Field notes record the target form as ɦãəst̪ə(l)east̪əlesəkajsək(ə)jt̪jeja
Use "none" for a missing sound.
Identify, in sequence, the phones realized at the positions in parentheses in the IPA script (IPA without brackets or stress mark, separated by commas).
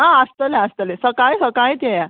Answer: l, a